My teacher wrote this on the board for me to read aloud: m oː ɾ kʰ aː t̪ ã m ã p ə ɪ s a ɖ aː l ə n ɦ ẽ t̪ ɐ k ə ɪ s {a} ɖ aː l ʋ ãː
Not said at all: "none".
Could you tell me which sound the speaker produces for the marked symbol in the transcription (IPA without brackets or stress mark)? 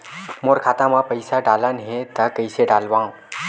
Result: e